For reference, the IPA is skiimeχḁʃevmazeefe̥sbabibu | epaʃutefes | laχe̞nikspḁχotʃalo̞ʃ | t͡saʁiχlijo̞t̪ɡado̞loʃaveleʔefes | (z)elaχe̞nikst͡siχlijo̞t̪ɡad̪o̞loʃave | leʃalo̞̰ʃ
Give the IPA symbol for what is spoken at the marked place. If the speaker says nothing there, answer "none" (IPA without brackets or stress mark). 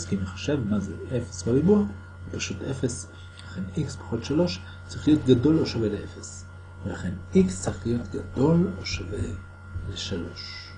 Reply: v